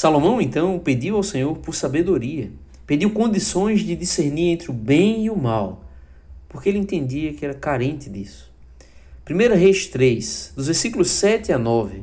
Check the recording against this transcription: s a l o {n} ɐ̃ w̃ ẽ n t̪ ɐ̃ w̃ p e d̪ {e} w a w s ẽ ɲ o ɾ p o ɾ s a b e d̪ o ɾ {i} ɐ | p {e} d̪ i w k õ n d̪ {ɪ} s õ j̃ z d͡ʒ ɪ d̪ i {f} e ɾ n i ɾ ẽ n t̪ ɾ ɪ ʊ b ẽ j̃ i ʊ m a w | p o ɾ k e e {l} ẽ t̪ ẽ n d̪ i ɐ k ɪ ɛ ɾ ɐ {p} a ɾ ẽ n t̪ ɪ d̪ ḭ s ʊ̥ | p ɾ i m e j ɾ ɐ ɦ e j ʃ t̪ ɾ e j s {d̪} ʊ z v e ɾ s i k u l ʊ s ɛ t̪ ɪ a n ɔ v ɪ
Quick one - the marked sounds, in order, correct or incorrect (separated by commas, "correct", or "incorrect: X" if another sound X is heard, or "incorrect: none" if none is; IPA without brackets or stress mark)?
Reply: incorrect: m, incorrect: i, correct, correct, incorrect: i, incorrect: s, correct, incorrect: k, correct